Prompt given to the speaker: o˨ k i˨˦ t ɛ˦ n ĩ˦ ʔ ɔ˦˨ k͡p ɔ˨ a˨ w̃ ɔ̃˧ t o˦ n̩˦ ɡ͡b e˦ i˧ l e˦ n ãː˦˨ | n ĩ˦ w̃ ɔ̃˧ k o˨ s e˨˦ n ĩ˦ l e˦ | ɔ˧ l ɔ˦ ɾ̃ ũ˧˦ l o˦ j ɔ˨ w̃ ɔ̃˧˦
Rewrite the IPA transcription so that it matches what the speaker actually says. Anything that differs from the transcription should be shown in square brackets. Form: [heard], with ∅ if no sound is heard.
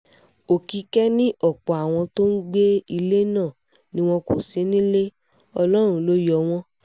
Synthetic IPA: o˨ k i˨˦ [k] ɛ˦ n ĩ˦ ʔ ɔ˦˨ k͡p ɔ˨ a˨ w̃ ɔ̃˧ t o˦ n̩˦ ɡ͡b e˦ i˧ l e˦ n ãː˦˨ | n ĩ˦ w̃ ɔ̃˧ k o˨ s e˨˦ n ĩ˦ l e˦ | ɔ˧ l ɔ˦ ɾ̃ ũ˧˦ l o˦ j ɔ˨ w̃ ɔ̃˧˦